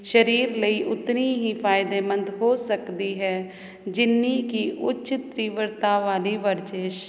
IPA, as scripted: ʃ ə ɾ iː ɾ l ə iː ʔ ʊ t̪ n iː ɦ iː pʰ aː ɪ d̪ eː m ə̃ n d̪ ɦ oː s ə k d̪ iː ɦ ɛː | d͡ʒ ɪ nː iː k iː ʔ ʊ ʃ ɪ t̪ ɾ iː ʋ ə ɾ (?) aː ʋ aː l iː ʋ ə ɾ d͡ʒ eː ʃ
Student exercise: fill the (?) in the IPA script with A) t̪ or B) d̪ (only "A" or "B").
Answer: A